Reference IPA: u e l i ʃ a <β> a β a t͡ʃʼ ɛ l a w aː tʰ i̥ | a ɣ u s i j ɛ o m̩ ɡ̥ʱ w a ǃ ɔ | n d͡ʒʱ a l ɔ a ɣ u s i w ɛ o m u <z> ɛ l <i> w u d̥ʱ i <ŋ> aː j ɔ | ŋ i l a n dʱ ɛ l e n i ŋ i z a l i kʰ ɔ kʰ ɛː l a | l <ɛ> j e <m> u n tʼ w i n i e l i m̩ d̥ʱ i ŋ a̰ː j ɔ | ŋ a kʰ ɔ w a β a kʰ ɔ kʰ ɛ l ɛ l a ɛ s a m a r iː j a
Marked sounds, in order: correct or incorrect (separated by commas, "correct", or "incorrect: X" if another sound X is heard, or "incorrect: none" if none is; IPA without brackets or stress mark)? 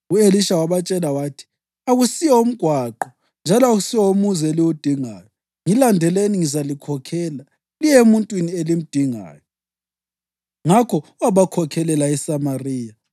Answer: incorrect: w, correct, correct, correct, incorrect: i, correct